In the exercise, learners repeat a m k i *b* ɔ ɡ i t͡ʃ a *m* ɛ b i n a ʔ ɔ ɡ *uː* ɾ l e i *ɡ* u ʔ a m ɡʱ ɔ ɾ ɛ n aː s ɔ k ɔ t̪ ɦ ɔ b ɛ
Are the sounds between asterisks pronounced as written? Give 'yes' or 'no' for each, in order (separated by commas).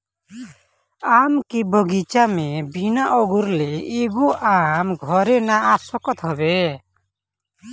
yes, yes, no, yes